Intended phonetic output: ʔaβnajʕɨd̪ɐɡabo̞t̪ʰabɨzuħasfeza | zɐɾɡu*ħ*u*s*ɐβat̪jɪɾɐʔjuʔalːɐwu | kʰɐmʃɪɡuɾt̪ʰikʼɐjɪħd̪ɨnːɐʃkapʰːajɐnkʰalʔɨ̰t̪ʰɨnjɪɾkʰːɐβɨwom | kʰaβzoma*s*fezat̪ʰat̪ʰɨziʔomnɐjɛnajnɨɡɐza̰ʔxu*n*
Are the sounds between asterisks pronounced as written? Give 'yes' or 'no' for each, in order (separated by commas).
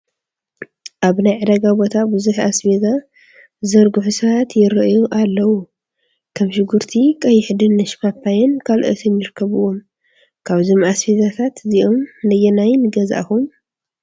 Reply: yes, yes, yes, no